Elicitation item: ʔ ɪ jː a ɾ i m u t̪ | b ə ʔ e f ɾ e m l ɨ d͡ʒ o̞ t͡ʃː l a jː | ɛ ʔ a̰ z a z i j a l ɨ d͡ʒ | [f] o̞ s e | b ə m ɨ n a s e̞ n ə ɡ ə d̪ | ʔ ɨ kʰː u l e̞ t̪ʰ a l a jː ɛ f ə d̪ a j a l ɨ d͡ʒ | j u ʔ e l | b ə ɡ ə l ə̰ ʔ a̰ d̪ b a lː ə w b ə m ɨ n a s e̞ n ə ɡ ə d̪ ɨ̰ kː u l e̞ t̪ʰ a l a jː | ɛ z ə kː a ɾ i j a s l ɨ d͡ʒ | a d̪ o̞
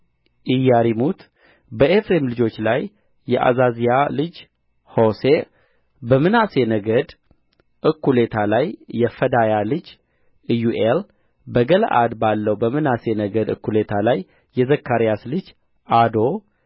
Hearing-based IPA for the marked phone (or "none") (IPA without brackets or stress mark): h